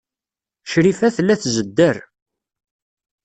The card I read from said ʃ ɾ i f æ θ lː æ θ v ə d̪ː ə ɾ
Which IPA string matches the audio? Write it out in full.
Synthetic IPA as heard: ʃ ɾ i f æ θ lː æ θ z ə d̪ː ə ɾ